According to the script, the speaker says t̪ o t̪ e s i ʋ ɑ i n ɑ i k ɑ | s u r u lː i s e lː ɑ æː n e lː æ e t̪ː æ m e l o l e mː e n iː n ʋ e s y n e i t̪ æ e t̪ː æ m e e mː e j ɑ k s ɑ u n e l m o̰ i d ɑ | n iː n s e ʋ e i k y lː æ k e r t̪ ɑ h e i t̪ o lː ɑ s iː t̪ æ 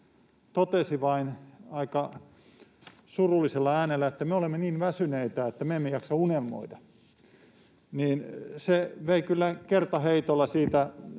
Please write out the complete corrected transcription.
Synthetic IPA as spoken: t̪ o t̪ e s i ʋ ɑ i n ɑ i k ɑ | s u r u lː i s e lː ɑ æː n e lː æ e t̪ː æ m e o l e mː e n iː n ʋ æ s y n e i t̪ æ e t̪ː æ m e e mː e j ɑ k s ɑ u n e l m o̰ i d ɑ | n iː n s e ʋ e i k y lː æ k e r t̪ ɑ h e i t̪ o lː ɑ s iː t̪ æ